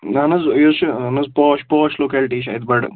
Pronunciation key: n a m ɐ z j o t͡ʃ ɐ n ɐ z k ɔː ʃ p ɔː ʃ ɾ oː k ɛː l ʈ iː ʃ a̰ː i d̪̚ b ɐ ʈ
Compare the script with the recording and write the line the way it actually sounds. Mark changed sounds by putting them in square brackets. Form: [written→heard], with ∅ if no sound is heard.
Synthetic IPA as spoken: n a [m→n] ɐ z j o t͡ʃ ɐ n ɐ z [k→p] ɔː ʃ p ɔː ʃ [ɾ→l] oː k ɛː l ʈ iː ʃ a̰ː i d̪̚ b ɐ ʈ